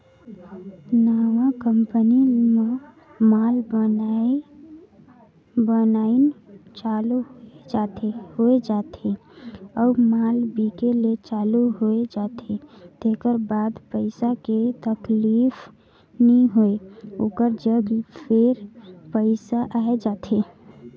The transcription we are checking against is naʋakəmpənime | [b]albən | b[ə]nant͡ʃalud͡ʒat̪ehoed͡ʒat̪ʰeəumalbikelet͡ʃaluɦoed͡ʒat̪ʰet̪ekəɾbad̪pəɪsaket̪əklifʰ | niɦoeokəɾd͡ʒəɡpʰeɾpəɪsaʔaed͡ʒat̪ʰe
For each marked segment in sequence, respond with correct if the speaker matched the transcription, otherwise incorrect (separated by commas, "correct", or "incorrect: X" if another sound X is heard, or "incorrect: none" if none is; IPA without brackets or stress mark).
incorrect: m, correct